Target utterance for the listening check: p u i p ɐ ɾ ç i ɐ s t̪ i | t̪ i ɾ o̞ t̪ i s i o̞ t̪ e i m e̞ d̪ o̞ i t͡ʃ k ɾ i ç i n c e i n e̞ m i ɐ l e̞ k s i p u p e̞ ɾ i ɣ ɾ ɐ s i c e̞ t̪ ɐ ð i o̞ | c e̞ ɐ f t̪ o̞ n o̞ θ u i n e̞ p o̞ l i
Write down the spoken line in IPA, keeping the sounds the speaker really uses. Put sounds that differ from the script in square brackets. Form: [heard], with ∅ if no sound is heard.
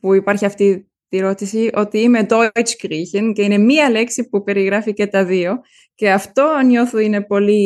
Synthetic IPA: p u i p ɐ ɾ ç i ɐ [f] t̪ i | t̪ i ɾ o̞ t̪ i s i o̞ t̪ [i] i m e̞ d̪ o̞ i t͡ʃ k ɾ i ç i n c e i n e̞ m i ɐ l e̞ k s i p u p e̞ ɾ i ɣ ɾ ɐ [f] i c e̞ t̪ ɐ ð i o̞ | c e̞ ɐ f t̪ o̞ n o̞ θ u i n e̞ p o̞ l i